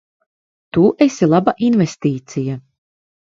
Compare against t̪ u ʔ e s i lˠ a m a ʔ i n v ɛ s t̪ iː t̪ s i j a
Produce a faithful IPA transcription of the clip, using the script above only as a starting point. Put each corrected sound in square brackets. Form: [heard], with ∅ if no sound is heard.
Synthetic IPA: t̪ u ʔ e s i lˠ a [b] a ʔ i n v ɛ s t̪ iː t̪ s i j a